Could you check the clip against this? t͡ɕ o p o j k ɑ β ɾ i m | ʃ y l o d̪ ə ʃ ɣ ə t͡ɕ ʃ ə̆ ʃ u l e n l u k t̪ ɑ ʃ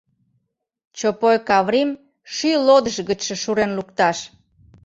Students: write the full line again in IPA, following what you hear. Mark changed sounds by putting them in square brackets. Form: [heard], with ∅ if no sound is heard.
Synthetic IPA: t͡ɕ o p o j k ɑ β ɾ i m | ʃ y l o d̪ ə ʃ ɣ ə t͡ɕ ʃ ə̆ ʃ u [ɾ] e n l u k t̪ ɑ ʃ